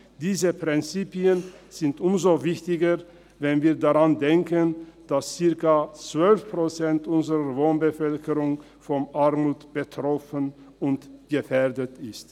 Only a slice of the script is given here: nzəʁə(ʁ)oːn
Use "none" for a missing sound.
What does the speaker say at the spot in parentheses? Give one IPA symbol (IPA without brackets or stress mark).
v